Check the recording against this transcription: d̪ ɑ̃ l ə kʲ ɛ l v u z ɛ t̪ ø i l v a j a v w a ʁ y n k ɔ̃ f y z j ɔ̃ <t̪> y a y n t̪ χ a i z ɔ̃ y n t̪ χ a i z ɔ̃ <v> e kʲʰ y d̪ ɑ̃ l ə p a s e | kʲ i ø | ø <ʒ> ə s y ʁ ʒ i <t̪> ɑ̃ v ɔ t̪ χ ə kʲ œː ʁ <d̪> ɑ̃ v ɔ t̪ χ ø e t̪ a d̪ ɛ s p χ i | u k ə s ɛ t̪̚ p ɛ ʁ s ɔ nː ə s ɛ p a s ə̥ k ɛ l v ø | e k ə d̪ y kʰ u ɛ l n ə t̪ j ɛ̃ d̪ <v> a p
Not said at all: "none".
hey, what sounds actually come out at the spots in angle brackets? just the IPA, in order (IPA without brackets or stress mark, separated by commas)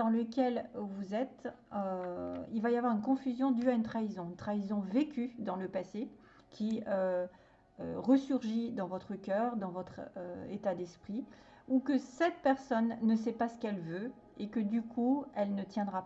d̪, v, ʁ, d̪, d̪, ʁ